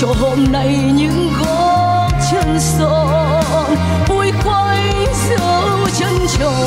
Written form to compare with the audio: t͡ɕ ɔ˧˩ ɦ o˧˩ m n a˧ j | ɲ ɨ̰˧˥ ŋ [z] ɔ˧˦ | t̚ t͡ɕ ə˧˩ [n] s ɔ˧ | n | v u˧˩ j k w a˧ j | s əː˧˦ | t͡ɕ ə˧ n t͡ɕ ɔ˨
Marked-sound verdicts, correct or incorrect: incorrect: ɣ, correct

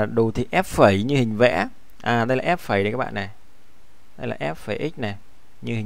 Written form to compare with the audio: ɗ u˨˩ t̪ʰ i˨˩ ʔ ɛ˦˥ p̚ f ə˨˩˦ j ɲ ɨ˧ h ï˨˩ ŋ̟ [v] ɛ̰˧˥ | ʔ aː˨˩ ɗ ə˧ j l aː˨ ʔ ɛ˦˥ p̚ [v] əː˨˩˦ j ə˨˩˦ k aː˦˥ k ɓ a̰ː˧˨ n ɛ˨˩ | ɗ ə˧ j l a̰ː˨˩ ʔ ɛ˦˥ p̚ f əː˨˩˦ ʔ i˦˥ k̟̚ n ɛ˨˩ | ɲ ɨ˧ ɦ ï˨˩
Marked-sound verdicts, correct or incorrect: correct, incorrect: f

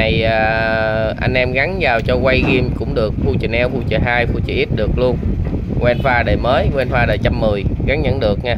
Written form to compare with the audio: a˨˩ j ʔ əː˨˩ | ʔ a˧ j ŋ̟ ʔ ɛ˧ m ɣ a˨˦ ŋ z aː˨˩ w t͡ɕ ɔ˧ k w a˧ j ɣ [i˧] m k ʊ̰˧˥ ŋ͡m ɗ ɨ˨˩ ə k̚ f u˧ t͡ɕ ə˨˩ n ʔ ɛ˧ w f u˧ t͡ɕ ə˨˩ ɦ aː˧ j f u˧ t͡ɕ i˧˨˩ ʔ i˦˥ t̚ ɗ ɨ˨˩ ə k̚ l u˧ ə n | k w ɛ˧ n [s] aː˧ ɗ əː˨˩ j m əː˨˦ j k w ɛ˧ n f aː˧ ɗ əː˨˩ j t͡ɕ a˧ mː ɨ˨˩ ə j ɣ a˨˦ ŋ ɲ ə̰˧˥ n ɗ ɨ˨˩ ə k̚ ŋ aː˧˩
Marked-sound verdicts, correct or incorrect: correct, incorrect: f

